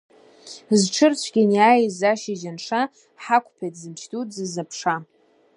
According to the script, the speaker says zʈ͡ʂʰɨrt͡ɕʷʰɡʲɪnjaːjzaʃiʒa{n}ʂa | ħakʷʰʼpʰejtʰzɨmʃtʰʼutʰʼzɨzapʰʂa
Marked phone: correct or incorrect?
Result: correct